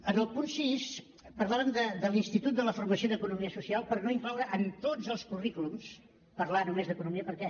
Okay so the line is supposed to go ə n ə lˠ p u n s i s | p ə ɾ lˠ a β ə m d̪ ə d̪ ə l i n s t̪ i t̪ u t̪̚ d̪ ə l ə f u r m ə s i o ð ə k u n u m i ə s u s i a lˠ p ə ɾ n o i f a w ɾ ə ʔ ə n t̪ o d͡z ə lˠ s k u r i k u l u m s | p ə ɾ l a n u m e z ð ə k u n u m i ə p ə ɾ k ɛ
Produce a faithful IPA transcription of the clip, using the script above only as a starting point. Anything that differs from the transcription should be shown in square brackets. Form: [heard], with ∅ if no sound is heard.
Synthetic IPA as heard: ə n ə lˠ p u n s i s | p ə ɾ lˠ a β ə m d̪ ə d̪ ə l i n s t̪ i t̪ u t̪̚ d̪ ə l ə f u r m ə s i o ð ə k u n u m i ə s u s i a lˠ p ə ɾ n o i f a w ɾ ə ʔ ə n t̪ o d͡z ə lˠ s k u r i k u l u m s | p ə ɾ l a n u m e z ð ə k u n u m i ə p ə ɾ k ɛ